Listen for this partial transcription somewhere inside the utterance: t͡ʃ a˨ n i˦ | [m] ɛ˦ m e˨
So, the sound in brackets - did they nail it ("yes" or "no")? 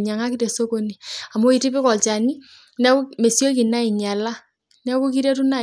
no